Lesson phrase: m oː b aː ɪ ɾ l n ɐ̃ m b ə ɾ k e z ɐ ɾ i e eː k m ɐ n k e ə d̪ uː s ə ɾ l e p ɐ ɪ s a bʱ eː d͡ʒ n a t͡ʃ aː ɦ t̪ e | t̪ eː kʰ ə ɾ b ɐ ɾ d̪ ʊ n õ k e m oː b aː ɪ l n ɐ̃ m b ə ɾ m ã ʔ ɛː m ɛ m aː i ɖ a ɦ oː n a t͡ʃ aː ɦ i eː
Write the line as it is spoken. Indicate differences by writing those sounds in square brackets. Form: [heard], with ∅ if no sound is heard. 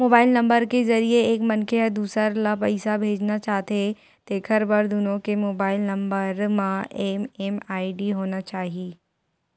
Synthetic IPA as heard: m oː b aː ɪ [∅] l n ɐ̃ m b ə ɾ k e z ɐ ɾ i e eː k m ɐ n k e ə d̪ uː s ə ɾ l [a] p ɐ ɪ s a bʱ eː d͡ʒ n a t͡ʃ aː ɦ t̪ e | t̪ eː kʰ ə ɾ b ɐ ɾ d̪ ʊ n õ k e m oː b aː ɪ l n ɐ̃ m b ə ɾ m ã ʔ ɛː m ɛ m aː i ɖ [i] ɦ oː n a t͡ʃ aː ɦ i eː